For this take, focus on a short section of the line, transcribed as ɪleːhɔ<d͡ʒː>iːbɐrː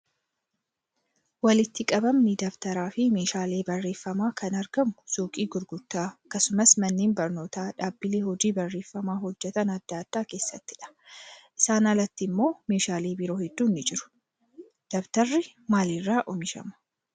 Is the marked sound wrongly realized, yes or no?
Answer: yes